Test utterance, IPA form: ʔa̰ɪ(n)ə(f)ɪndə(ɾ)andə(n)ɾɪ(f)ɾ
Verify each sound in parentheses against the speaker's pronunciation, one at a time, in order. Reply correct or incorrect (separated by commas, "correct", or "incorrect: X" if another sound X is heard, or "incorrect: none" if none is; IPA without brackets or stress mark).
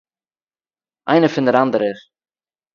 correct, correct, correct, incorrect: none, incorrect: none